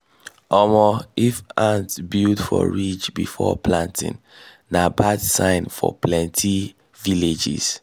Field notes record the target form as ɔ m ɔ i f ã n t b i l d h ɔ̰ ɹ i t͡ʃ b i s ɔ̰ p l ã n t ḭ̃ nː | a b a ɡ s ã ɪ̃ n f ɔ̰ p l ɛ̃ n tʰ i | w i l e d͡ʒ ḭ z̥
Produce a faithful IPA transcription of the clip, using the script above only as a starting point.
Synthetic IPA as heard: ɔ m ɔ i f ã n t b i l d f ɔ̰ ɹ i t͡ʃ b i f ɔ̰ p l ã n t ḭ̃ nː | a b a d s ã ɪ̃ n f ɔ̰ p l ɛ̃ n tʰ i | v i l e d͡ʒ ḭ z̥